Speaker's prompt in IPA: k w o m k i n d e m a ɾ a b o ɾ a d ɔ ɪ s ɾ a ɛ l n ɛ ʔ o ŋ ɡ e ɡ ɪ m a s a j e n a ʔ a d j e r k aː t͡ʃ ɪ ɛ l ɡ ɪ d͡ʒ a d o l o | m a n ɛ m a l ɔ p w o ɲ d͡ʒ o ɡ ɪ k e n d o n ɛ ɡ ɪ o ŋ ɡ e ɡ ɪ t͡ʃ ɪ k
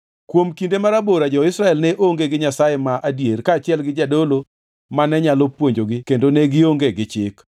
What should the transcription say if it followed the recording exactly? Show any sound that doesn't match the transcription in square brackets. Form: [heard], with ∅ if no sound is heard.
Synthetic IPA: k w o m k i n d e m a ɾ a b o ɾ a [d͡ʒ] ɔ ɪ s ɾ a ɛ l n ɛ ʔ o ŋ ɡ e ɡ ɪ [ɲ] a s a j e [m] a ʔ a d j e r k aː t͡ʃ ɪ ɛ l ɡ ɪ d͡ʒ a d o l o | m a n ɛ [ɲ] a l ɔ p w o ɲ d͡ʒ o ɡ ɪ k e n d o n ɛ ɡ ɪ o ŋ ɡ e ɡ ɪ t͡ʃ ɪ k

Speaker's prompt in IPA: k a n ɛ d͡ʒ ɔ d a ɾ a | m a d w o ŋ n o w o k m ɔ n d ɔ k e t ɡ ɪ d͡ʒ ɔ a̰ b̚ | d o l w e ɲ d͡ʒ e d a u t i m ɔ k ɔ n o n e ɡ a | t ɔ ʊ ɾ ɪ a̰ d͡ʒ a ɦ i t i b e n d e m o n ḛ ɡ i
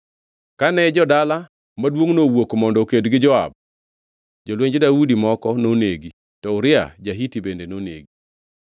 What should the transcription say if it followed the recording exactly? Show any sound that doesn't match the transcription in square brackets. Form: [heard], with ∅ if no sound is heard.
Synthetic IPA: k a n ɛ d͡ʒ ɔ d a [l] a | m a d w o ŋ n o w o k m ɔ n d ɔ k e [d] ɡ ɪ d͡ʒ ɔ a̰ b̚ | [d͡ʒ] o l w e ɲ d͡ʒ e d a u [d] i m ɔ k ɔ n o n e ɡ [i] | t ɔ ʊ ɾ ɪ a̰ d͡ʒ a ɦ i t i b e n d e [n] o n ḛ ɡ i

